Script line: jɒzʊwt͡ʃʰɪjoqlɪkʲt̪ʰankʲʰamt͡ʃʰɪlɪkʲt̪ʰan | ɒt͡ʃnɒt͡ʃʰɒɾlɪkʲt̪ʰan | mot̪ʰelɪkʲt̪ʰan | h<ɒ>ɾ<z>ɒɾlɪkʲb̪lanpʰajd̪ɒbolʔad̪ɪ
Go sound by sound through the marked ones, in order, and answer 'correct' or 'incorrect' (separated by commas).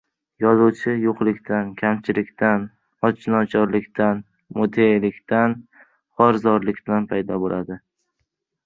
correct, correct